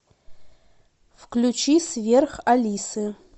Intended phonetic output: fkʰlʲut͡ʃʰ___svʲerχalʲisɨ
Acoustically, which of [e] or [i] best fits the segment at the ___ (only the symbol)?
i